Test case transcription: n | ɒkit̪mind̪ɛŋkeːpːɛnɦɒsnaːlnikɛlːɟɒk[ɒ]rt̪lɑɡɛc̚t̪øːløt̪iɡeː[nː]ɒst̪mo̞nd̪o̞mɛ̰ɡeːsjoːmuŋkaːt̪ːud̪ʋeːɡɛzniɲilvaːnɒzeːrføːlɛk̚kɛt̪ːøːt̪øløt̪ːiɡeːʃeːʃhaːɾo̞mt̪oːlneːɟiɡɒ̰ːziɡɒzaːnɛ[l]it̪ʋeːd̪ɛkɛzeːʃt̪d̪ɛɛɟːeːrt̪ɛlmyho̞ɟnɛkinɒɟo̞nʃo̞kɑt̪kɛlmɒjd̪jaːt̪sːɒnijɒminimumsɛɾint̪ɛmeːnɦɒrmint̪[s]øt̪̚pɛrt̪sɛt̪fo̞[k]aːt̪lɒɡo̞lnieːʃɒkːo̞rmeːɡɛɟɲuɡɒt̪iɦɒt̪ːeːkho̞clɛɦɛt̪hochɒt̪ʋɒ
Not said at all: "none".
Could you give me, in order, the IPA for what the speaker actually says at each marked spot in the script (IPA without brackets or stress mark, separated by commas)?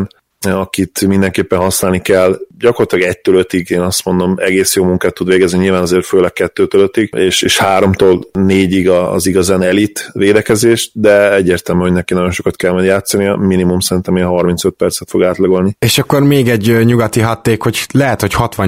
o, n, l, s, ɡ